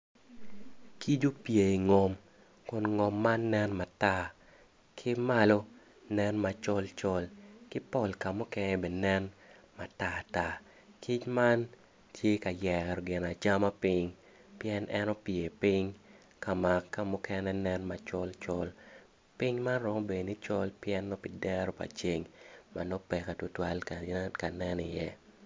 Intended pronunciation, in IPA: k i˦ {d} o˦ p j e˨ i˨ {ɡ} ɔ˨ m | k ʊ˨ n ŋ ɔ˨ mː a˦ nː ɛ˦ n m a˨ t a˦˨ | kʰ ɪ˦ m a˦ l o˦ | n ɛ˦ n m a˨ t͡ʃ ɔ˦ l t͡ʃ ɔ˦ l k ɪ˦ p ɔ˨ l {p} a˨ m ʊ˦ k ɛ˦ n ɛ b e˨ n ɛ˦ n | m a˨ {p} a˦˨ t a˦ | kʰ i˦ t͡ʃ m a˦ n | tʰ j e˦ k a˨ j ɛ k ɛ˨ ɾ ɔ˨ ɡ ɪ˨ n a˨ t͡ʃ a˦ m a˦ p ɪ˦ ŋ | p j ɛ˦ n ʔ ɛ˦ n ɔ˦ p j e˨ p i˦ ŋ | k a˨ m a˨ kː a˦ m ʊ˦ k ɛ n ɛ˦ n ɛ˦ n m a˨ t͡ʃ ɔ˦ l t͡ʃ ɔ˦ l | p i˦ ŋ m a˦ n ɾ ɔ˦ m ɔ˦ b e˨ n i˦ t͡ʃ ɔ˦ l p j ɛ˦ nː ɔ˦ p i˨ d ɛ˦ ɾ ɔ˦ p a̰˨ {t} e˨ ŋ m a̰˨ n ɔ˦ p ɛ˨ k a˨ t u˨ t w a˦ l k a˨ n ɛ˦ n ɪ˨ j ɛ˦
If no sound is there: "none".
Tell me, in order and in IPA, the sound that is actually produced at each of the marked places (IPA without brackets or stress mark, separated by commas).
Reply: d͡ʒ, ŋ, k, t, t͡ʃ